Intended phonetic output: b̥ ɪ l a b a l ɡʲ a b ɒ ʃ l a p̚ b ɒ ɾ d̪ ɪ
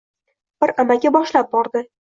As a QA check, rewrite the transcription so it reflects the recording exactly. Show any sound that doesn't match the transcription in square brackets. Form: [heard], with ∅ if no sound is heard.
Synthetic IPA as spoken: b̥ ɪ [ɾ] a [m] a [∅] ɡʲ a b ɒ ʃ l a p̚ b ɒ ɾ d̪ ɪ